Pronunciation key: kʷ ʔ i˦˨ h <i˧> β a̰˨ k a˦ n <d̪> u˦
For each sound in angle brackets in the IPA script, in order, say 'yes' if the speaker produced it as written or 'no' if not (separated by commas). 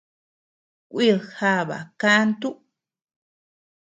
no, no